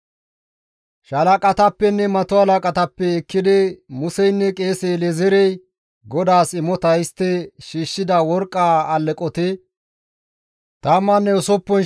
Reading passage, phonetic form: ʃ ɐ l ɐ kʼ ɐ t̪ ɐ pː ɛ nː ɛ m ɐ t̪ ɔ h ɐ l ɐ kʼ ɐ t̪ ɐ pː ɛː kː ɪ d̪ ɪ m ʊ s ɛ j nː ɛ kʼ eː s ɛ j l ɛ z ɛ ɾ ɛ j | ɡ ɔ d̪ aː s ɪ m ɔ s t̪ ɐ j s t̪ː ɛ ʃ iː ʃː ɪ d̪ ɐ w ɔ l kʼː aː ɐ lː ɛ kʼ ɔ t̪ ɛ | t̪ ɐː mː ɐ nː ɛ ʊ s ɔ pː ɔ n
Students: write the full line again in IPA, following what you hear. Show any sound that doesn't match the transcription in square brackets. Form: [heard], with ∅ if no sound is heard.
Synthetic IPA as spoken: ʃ ɐ l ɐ kʼ ɐ t̪ ɐ pː ɛ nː ɛ m ɐ t̪ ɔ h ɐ l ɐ kʼ ɐ t̪ ɐ pː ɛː kː ɪ d̪ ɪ m ʊ s ɛ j nː ɛ kʼ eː s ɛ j l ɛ z ɛ ɾ ɛ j | ɡ ɔ d̪ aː s ɪ m ɔ [∅] t̪ ɐ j s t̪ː ɛ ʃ iː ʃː ɪ d̪ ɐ w ɔ [ɾ] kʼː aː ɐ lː ɛ kʼ ɔ t̪ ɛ | t̪ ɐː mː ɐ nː ɛ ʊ s ɔ pː ɔ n